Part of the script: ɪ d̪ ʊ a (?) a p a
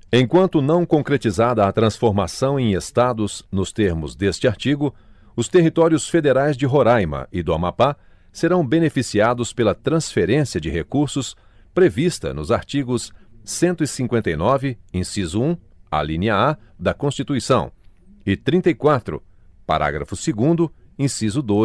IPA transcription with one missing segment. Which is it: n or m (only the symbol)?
m